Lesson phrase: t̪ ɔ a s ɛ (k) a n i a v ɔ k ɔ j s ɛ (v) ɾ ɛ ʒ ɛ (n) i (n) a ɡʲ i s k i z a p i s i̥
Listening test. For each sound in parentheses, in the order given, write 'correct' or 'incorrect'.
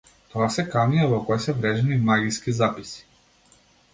correct, correct, correct, incorrect

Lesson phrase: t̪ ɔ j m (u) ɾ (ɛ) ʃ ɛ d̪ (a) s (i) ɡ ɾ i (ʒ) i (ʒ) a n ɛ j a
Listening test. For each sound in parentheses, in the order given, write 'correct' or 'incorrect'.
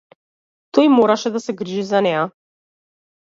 incorrect, incorrect, correct, incorrect, correct, incorrect

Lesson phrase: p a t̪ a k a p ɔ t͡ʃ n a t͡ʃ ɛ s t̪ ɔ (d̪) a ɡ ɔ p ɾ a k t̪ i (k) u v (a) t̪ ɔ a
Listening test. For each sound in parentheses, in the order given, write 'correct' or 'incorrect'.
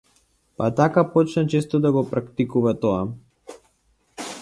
correct, correct, correct

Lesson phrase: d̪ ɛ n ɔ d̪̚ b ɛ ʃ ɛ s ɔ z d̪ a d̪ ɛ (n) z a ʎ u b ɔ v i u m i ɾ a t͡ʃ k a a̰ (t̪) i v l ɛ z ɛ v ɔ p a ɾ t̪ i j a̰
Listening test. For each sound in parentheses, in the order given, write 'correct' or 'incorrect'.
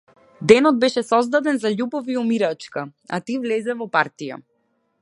correct, correct

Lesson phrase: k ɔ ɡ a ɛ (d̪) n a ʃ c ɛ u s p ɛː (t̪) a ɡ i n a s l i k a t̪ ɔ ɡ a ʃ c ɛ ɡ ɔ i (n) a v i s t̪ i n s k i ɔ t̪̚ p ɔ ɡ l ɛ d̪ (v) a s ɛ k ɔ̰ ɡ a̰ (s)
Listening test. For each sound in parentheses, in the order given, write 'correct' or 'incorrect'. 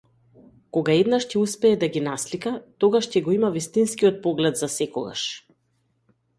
correct, incorrect, incorrect, incorrect, incorrect

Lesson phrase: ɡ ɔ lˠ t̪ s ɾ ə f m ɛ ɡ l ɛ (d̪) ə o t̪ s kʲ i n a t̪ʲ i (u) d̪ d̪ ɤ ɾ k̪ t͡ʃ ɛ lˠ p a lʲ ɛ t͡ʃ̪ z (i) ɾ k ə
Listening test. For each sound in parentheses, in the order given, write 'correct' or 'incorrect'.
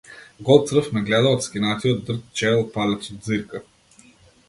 correct, incorrect, correct

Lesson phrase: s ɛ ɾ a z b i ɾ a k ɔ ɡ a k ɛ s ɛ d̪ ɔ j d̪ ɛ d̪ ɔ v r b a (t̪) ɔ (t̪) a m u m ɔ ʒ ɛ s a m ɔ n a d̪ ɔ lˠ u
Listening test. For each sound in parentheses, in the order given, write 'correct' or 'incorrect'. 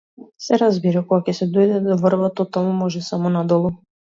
correct, correct

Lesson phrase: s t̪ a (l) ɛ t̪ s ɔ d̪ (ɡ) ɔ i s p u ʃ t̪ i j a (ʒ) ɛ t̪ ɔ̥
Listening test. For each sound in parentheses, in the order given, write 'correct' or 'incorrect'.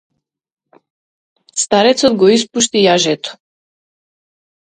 incorrect, correct, correct

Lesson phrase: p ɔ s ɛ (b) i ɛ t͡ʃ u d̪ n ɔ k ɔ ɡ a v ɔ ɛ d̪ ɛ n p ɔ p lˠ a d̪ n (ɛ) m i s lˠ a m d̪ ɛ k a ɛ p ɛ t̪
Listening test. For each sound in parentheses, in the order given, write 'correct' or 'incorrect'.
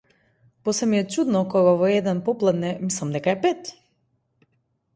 incorrect, correct

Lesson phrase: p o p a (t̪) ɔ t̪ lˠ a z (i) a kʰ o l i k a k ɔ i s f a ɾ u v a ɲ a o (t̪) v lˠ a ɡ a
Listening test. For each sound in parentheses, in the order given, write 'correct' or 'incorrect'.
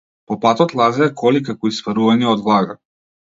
correct, incorrect, incorrect

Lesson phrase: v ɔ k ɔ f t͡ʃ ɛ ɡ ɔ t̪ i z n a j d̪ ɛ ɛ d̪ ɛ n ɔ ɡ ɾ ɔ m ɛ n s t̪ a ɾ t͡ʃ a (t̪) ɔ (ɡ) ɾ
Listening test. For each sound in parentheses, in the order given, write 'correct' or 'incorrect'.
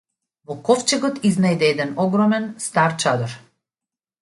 incorrect, incorrect

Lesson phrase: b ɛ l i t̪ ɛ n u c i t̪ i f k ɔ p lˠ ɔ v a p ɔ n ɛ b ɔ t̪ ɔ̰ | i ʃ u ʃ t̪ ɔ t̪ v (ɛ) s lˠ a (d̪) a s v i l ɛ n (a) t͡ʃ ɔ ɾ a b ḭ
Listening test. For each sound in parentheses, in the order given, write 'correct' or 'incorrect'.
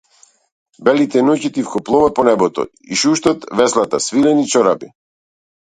correct, incorrect, incorrect

